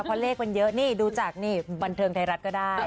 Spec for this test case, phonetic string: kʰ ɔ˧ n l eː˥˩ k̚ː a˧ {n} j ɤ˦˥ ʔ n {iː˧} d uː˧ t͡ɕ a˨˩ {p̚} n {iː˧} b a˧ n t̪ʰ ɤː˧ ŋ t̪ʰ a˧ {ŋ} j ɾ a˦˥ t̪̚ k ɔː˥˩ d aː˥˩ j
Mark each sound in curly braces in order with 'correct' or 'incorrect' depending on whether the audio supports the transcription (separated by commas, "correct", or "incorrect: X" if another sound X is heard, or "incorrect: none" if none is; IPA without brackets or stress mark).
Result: correct, incorrect: iː˥˩, incorrect: k̚, incorrect: iː˥˩, incorrect: none